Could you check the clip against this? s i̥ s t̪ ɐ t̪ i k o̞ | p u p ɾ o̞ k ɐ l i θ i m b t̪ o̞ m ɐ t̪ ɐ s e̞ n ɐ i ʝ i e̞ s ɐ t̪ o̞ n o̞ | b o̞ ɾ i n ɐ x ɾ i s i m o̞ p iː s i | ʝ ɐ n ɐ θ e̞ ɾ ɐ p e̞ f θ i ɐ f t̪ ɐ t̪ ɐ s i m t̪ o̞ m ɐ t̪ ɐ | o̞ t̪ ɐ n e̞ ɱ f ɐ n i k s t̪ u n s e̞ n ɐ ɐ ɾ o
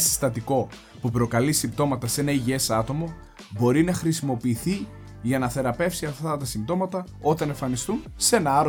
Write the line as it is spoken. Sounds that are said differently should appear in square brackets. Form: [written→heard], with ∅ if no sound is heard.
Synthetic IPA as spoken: s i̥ s t̪ ɐ t̪ i k o̞ | p u p ɾ o̞ k ɐ l i [θ→s] i m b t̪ o̞ m ɐ t̪ ɐ s e̞ n ɐ i ʝ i e̞ s ɐ t̪ o̞ [n→m] o̞ | b o̞ ɾ i n ɐ x ɾ i s i m o̞ p iː [s→θ] i | ʝ ɐ n ɐ θ e̞ ɾ ɐ p e̞ f [θ→s] i ɐ f t̪ ɐ t̪ ɐ s i m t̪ o̞ m ɐ t̪ ɐ | o̞ t̪ ɐ n e̞ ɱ f ɐ n i [k→∅] s t̪ u n s e̞ n ɐ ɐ ɾ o